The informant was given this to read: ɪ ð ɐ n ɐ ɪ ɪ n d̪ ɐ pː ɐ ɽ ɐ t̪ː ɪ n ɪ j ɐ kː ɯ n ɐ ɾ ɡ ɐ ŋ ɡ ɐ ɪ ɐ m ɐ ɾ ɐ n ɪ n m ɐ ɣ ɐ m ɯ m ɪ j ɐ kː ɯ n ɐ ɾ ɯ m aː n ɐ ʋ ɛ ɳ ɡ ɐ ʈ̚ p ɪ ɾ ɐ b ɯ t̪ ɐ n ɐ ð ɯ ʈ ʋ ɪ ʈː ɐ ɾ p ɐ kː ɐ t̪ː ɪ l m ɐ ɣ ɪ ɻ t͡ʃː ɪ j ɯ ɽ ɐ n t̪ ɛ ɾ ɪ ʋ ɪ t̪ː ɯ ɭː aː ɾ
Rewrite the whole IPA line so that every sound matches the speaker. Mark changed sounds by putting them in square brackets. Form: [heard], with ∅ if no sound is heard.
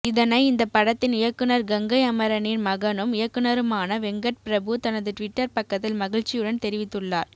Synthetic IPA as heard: ɪ ð ɐ n ɐ ɪ ɪ n d̪ ɐ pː ɐ ɽ ɐ t̪ː ɪ n ɪ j ɐ kː ɯ n ɐ ɾ ɡ ɐ ŋ ɡ ɐ ɪ ɐ m ɐ ɾ ɐ n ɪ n m ɐ ɣ ɐ [n] ɯ m ɪ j ɐ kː ɯ n ɐ ɾ ɯ m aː n ɐ ʋ ɛ [ŋ] ɡ ɐ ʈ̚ p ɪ ɾ ɐ b ɯ t̪ ɐ n ɐ ð ɯ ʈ ʋ ɪ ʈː ɐ ɾ p ɐ kː ɐ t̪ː ɪ l m ɐ ɣ ɪ ɻ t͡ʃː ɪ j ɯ ɽ ɐ n t̪ ɛ ɾ ɪ ʋ ɪ t̪ː ɯ ɭː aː ɾ